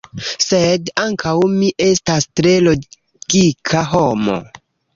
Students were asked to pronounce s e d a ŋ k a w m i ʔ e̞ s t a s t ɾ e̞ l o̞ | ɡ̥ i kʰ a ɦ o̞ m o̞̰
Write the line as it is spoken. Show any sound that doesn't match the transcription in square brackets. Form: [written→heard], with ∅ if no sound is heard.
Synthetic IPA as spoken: s e d a ŋ k a w m i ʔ e̞ s t a s t ɾ e̞ l o̞ | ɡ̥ i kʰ a ɦ o̞ m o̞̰